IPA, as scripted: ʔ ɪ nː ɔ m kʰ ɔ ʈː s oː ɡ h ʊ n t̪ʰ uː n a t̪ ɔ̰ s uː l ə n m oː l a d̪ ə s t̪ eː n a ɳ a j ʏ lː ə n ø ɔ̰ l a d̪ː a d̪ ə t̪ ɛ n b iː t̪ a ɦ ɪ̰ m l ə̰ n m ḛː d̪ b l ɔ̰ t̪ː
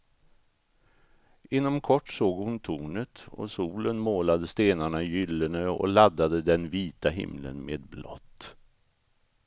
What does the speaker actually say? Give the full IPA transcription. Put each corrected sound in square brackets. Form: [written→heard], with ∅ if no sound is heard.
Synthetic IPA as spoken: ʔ ɪ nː ɔ m kʰ ɔ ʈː s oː ɡ h ʊ n t̪ʰ uː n [a→ə] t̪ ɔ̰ s uː l ə n m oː l a d̪ ə s t̪ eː n a ɳ a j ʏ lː ə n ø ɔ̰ l a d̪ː a d̪ ə [t̪→d̪] ɛ n [b→v] iː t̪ a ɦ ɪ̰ m l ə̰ n m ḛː d̪ b l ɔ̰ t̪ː